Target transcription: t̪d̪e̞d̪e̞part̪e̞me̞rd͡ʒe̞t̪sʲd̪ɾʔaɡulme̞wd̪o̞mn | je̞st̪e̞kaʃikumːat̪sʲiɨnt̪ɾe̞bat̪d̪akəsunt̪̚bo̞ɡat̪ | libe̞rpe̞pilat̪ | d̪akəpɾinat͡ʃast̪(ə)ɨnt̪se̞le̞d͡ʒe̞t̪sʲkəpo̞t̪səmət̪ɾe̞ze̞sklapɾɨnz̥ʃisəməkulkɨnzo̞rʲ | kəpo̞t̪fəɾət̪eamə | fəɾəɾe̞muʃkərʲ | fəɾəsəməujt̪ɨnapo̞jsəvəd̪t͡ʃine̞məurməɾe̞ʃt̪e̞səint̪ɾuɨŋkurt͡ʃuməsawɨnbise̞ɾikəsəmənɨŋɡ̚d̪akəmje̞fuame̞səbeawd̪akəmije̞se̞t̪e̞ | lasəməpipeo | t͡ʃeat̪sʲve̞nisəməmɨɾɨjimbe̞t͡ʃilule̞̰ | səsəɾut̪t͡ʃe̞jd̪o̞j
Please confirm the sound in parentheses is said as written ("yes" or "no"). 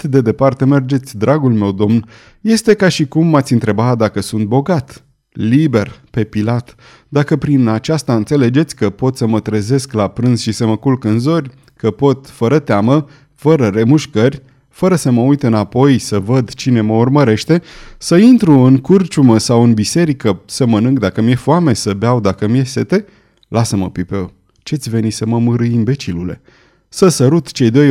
no